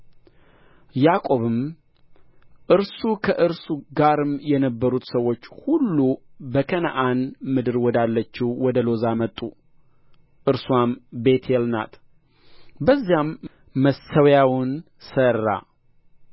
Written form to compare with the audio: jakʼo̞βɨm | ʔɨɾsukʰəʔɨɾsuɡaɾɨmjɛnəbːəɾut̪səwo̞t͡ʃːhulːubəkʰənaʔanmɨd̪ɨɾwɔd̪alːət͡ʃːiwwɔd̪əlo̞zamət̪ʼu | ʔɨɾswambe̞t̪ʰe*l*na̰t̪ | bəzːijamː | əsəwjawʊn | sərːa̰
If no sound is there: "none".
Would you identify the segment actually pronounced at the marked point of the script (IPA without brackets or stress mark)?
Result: l